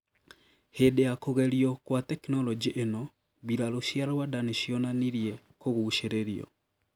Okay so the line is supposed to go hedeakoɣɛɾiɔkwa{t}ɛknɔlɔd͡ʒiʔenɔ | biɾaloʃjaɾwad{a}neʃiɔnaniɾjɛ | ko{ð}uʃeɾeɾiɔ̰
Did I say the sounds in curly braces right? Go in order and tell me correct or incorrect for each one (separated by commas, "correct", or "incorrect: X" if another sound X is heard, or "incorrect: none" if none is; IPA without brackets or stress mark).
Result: correct, correct, incorrect: ɣ